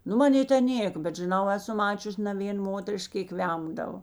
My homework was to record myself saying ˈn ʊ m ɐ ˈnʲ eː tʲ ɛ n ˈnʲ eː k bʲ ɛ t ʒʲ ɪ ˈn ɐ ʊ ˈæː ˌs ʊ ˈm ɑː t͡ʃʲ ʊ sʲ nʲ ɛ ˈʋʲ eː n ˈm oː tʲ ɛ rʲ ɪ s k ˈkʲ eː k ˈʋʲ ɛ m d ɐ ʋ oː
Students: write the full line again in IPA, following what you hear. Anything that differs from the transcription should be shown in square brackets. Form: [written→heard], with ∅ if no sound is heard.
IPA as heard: ˈn ʊ m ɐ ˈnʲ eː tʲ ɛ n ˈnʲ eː k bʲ ɛ t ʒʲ ɪ ˈn ɐ ʊ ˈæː ˌs ʊ ˈm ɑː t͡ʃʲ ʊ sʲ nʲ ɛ ˈʋʲ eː n ˈm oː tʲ ɛ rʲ ɪ [s→ʃ] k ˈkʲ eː k ˈʋʲ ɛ m d ɐ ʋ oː